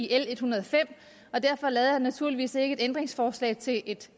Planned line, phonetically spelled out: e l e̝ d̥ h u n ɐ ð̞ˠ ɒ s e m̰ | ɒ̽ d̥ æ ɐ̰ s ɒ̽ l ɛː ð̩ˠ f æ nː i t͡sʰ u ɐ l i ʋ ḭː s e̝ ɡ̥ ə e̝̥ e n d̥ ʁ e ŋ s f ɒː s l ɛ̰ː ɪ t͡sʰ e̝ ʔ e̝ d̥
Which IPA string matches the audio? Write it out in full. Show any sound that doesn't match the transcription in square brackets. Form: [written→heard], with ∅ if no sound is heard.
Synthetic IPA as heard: e l e̝ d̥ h u n ɐ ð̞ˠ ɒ [s→f] e m̰ | ɒ̽ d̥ æ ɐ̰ [s→f] ɒ̽ l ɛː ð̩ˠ [f→h] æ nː [i→æ] t͡sʰ u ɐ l i ʋ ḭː s e̝ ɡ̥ ə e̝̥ e n d̥ ʁ e ŋ s f ɒː s l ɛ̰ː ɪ t͡sʰ e̝ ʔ e̝ d̥